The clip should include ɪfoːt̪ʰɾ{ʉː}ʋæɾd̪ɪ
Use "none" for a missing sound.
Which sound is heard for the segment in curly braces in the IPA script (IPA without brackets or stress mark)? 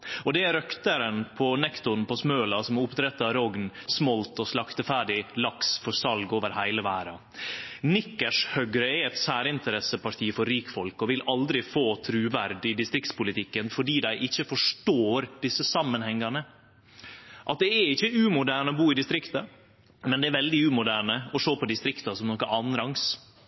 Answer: ʉː